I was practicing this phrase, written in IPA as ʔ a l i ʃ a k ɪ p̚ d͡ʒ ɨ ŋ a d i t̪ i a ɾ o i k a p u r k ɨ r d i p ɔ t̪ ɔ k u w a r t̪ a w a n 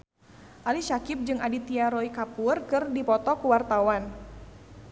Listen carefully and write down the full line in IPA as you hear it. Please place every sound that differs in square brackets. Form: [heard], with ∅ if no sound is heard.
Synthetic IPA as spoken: ʔ a l i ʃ a k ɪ p̚ d͡ʒ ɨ ŋ a d i t̪ i a ɾ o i k a p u r k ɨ r d i p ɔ t̪ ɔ k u w a r t̪ a w a n